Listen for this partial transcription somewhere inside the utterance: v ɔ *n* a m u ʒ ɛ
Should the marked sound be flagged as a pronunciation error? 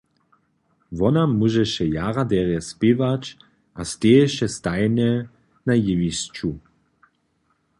no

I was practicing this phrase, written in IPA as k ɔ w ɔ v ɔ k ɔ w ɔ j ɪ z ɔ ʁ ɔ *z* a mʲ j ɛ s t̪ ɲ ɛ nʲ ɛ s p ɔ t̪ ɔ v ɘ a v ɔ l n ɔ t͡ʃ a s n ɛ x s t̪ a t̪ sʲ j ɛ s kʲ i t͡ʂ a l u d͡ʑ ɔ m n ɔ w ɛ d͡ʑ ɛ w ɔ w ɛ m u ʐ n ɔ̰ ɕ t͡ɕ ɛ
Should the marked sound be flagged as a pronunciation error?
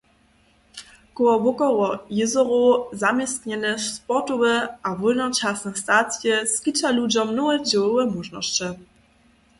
no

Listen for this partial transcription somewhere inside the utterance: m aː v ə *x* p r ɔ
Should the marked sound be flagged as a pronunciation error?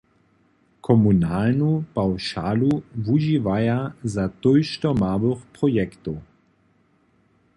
no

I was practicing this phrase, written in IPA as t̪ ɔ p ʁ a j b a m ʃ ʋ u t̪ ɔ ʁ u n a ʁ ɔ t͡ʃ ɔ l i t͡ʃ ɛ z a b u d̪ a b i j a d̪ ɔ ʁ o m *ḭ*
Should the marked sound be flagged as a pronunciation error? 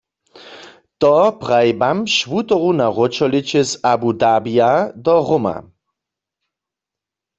yes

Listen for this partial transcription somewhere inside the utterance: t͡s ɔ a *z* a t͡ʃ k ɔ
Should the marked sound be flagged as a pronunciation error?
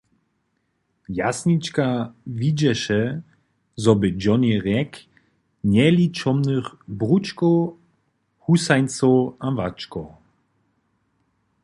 yes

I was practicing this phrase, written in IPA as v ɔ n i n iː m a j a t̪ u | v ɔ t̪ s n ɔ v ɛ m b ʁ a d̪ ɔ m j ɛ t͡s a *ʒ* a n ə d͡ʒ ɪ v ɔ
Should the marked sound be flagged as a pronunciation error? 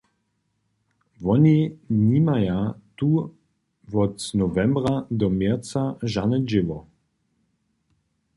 no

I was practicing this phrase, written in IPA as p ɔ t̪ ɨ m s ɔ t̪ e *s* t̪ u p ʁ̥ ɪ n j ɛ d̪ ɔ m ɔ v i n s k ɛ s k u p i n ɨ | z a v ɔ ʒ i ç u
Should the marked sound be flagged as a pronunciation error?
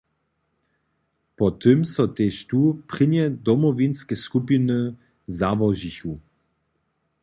yes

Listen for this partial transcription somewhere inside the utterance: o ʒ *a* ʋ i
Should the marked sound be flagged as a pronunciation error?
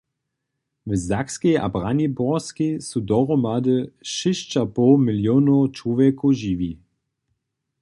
yes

